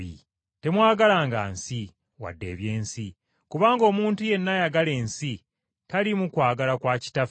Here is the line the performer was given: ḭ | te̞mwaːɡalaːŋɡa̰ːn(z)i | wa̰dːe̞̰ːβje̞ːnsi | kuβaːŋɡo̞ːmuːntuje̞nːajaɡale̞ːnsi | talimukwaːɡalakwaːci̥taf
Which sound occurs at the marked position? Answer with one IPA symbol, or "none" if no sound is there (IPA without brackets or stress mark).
s